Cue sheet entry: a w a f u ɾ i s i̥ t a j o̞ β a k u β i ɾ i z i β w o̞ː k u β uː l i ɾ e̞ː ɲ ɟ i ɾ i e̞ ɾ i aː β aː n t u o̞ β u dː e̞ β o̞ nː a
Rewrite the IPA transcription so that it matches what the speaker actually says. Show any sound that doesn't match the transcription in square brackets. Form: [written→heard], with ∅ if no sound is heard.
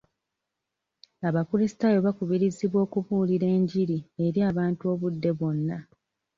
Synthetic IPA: a [w→β] a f u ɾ i s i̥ t a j o̞ β a k u β i ɾ i z i β w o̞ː k u β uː l i ɾ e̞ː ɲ ɟ i ɾ i e̞ ɾ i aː β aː n t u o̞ β u dː e̞ β o̞ nː a